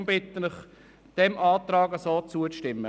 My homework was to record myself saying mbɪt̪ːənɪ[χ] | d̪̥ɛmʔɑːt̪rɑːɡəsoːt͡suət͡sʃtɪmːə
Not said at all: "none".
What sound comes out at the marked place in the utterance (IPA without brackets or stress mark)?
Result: χ